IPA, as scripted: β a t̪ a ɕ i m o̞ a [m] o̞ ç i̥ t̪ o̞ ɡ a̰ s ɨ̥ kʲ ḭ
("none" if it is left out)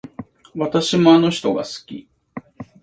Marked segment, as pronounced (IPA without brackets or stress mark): n